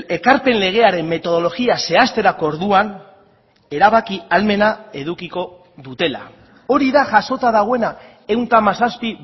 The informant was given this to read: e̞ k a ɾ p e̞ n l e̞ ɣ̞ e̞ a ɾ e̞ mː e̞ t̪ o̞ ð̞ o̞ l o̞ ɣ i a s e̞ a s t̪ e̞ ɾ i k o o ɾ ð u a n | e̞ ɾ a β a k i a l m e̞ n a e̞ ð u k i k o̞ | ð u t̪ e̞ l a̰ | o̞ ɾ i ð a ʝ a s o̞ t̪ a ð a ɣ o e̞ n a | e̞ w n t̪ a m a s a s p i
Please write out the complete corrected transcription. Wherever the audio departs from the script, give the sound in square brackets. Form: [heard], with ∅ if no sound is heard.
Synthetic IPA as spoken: e̞ k a ɾ p e̞ n l e̞ ɣ̞ e̞ a ɾ e̞ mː e̞ t̪ o̞ ð̞ o̞ l o̞ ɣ i a s e̞ a s t̪ e̞ ɾ [a] k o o ɾ ð u a n | e̞ ɾ a β a k i a l m e̞ n a e̞ ð u k i k o̞ | ð u t̪ e̞ l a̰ | o̞ ɾ i ð a ʝ a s o̞ t̪ a ð a ɣ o e̞ n a | e̞ w n t̪ a m a s a s p i